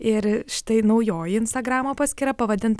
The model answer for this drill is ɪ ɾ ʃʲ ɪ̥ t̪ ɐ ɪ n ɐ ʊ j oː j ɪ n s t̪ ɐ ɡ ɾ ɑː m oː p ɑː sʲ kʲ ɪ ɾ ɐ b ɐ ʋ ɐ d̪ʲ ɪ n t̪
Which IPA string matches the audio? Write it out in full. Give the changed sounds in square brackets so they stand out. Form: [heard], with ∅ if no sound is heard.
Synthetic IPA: ɪ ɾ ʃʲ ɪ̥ t̪ ɐ ɪ n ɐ ʊ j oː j ɪ n s t̪ ɐ ɡ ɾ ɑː m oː p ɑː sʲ kʲ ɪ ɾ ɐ [p] ɐ ʋ ɐ d̪ʲ ɪ n t̪

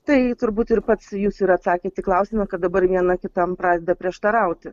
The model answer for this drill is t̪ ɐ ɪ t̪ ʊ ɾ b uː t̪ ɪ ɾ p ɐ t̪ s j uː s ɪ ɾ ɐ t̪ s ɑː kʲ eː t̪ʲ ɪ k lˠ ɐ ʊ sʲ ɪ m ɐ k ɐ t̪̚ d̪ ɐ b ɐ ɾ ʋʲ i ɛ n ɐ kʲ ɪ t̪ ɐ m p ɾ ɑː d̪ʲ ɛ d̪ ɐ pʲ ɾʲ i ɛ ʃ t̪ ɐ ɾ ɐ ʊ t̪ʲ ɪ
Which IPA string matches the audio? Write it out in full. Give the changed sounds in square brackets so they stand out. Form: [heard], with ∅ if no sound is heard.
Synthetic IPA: t̪ ɐ ɪ t̪ ʊ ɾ b uː t̪ ɪ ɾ p ɐ t̪ s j uː s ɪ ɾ ɐ t̪ s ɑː kʲ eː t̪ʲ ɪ k lˠ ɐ ʊ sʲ ɪ m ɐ k ɐ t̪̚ d̪ ɐ b ɐ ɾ ʋʲ i ɛ n ɐ kʲ ɪ t̪ ɐ m p ɾ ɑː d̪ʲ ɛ d̪ ɐ pʲ ɾʲ i ɛ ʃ t̪ ɐ ɾ ɐ ʊ t̪ʲ ɪ

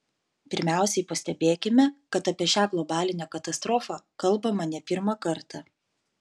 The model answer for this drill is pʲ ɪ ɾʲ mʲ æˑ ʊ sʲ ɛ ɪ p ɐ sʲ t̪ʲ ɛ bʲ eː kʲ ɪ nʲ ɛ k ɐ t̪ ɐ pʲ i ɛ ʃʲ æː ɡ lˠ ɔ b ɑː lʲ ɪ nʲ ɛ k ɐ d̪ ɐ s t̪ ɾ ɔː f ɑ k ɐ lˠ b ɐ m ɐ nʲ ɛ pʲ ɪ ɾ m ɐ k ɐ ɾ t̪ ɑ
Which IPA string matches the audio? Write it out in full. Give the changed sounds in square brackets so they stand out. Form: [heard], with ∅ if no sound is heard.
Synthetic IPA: pʲ ɪ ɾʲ mʲ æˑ ʊ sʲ ɛ ɪ p ɐ sʲ t̪ʲ ɛ bʲ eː kʲ ɪ [mʲ] ɛ k ɐ t̪ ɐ pʲ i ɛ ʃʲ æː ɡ lˠ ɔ b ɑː lʲ ɪ nʲ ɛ k ɐ [t̪] ɐ s t̪ ɾ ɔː f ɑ k ɐ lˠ b ɐ m ɐ nʲ ɛ pʲ ɪ ɾ m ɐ k ɐ ɾ t̪ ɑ

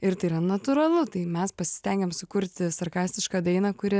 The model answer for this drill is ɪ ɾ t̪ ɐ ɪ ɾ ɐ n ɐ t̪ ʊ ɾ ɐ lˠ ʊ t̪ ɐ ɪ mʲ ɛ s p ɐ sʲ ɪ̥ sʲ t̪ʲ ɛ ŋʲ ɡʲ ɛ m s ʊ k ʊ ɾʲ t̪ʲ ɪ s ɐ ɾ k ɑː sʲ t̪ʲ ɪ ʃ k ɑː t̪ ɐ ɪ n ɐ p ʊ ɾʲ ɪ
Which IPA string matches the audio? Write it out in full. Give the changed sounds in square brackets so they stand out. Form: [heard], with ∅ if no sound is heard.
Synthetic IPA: ɪ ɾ t̪ ɐ ɪ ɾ ɐ n ɐ t̪ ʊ ɾ ɐ lˠ ʊ t̪ ɐ ɪ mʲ ɛ s p ɐ sʲ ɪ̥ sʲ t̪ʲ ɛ ŋʲ ɡʲ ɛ m s ʊ k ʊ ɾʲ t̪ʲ ɪ s ɐ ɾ k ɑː sʲ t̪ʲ ɪ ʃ k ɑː [d̪] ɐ ɪ n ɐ [k] ʊ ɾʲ ɪ

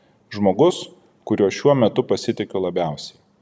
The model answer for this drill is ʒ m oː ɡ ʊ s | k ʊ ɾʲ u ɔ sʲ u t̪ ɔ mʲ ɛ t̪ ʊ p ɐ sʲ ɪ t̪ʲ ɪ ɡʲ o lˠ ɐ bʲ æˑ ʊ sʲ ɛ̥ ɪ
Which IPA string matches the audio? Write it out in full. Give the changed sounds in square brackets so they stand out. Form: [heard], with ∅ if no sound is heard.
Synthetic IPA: ʒ m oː ɡ ʊ s | k ʊ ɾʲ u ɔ [ʃʲ] u [∅] ɔ mʲ ɛ t̪ ʊ p ɐ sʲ ɪ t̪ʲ ɪ [kʲ] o lˠ ɐ bʲ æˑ ʊ sʲ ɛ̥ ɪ

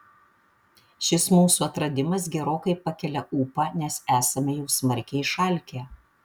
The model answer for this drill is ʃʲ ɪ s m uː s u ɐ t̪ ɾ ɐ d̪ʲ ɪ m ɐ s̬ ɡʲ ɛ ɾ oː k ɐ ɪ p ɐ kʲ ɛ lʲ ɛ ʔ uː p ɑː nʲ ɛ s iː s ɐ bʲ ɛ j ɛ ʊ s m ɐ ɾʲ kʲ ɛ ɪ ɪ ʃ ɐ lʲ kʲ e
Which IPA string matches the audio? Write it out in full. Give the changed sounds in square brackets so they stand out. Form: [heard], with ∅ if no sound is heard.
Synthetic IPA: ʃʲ ɪ s m uː s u ɐ t̪ ɾ ɐ d̪ʲ ɪ m ɐ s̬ ɡʲ ɛ ɾ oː k ɐ ɪ p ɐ kʲ ɛ lʲ ɛ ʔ uː p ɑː nʲ ɛ s [æː] s ɐ [mʲ] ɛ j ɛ ʊ s m ɐ ɾʲ kʲ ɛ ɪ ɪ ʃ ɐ lʲ kʲ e

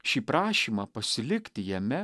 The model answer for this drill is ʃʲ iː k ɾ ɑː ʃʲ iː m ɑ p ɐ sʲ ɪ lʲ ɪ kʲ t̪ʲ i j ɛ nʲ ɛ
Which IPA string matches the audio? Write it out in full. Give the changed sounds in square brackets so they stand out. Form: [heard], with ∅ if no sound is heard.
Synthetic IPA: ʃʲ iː [p] ɾ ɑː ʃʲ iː m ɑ p ɐ sʲ ɪ lʲ ɪ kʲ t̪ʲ [ɪ] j ɛ [mʲ] ɛ

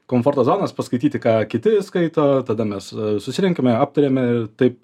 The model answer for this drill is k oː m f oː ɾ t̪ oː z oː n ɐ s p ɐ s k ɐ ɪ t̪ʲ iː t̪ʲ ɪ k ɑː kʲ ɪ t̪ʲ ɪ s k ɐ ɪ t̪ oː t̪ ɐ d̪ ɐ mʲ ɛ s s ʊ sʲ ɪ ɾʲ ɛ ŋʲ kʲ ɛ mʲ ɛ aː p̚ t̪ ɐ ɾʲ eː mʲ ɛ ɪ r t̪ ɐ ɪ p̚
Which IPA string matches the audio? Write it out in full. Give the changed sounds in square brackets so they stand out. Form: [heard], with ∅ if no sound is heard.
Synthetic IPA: k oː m f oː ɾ t̪ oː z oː n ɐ s p ɐ s k ɐ ɪ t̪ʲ iː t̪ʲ ɪ k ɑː kʲ ɪ t̪ʲ ɪ s k ɐ ɪ t̪ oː t̪ ɐ d̪ ɐ mʲ ɛ s s ʊ sʲ ɪ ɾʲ ɛ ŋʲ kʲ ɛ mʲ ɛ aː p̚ t̪ ɐ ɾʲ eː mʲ ɛ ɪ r t̪ ɐ ɪ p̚

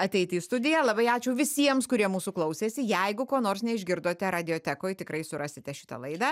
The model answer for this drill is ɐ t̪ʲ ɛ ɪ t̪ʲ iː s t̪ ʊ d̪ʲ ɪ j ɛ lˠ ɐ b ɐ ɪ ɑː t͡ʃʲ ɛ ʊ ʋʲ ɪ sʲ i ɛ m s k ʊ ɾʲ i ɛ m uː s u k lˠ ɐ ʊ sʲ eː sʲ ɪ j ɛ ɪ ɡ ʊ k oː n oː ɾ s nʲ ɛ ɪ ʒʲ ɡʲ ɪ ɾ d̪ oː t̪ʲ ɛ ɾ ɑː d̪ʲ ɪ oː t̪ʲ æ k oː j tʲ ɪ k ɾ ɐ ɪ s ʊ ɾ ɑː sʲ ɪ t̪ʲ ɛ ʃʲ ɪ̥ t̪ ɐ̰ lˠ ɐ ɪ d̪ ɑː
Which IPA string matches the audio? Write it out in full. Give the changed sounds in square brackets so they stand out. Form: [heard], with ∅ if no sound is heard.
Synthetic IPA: ɐ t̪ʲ ɛ ɪ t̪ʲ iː s t̪ ʊ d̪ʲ ɪ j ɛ lˠ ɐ b ɐ ɪ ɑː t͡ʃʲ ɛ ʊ ʋʲ ɪ sʲ i ɛ m s k ʊ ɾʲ i ɛ m uː s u k lˠ ɐ ʊ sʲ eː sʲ ɪ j ɛ ɪ ɡ ʊ k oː n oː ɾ s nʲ ɛ ɪ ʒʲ ɡʲ ɪ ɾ d̪ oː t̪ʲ ɛ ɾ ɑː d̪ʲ ɪ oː t̪ʲ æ k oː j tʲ ɪ k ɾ ɐ ɪ s ʊ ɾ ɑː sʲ ɪ t̪ʲ ɛ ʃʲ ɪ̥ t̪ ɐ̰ lˠ ɐ ɪ d̪ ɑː

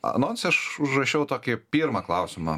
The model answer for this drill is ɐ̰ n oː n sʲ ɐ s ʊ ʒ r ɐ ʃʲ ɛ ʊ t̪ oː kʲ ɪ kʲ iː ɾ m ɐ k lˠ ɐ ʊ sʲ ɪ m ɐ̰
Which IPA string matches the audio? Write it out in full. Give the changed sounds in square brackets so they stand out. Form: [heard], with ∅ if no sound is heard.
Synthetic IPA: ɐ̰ n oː n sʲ ɐ [ʃ] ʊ ʒ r ɐ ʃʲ ɛ ʊ t̪ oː kʲ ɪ [pʲ] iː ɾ m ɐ k lˠ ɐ ʊ sʲ ɪ m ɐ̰

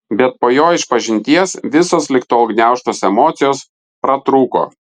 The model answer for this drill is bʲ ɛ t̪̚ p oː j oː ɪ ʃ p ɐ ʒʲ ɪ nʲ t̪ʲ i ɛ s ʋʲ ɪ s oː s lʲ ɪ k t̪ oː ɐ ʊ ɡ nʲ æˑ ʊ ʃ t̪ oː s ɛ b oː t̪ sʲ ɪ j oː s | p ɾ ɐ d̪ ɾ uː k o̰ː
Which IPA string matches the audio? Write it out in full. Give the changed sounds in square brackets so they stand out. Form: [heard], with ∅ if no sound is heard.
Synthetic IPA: bʲ ɛ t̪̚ p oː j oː ɪ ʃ p ɐ ʒʲ ɪ nʲ t̪ʲ i ɛ s ʋʲ ɪ s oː s lʲ ɪ k t̪ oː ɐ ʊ ɡ nʲ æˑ ʊ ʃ t̪ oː s ɛ [m] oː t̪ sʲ ɪ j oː s | p ɾ ɐ [t̪] ɾ uː k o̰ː

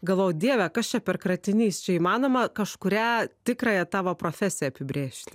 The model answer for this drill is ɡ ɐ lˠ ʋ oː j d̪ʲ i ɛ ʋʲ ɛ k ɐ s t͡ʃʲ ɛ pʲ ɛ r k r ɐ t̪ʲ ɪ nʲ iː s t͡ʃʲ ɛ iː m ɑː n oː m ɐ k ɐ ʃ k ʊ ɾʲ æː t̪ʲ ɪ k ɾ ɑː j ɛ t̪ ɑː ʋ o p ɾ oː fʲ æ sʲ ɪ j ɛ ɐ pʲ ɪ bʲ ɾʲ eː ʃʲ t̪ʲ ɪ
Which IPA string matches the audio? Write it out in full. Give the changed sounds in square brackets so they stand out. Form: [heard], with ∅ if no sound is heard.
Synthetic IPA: ɡ ɐ lˠ ʋ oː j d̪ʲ i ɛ ʋʲ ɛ k ɐ s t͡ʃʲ ɛ pʲ ɛ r k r ɐ t̪ʲ ɪ nʲ iː s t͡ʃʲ ɛ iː m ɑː n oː m ɐ k ɐ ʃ k ʊ ɾʲ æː t̪ʲ ɪ k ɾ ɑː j ɛ t̪ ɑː ʋ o p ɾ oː fʲ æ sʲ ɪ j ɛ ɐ pʲ ɪ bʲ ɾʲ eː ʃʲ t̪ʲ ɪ

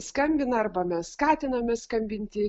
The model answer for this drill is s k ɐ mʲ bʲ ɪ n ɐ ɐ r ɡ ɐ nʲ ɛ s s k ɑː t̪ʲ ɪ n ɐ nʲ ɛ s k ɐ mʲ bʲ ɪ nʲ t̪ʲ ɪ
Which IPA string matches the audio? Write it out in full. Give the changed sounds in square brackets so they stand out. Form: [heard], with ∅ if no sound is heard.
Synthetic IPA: s k ɐ mʲ bʲ ɪ n ɐ ɐ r [b] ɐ [mʲ] ɛ s s k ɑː t̪ʲ ɪ n ɐ [mʲ] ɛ s k ɐ mʲ bʲ ɪ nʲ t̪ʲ ɪ

